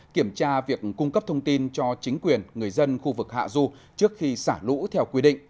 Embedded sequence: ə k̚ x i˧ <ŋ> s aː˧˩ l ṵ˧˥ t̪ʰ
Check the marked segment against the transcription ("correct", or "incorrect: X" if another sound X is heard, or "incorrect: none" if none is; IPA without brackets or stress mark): incorrect: none